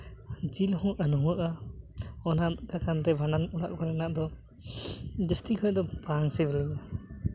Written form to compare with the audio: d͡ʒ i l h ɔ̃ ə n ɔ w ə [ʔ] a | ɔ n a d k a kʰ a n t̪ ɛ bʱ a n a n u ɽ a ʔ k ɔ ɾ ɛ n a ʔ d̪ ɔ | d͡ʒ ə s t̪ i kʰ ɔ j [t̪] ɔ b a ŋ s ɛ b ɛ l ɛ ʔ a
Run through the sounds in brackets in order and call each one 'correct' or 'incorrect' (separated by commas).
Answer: correct, incorrect